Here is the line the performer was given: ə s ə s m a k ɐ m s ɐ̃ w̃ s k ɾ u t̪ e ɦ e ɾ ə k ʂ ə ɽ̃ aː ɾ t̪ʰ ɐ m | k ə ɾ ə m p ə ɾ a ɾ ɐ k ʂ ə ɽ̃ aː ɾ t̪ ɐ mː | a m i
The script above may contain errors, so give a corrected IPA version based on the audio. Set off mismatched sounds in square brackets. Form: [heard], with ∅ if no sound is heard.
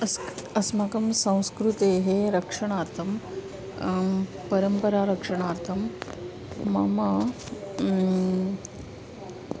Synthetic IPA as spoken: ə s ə s m a k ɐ m s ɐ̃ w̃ s k ɾ u t̪ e ɦ e ɾ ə k ʂ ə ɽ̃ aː ɾ t̪ʰ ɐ m | [p] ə ɾ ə m p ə ɾ a ɾ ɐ k ʂ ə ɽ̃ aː ɾ [t̪ʰ] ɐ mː | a m [a]